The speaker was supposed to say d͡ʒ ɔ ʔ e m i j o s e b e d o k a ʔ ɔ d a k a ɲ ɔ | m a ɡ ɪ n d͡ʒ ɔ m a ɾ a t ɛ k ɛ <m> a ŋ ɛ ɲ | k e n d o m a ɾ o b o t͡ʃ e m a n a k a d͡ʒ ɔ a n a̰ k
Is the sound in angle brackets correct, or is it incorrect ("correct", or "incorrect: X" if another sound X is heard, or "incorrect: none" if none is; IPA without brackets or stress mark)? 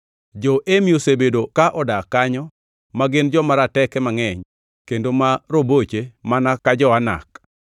correct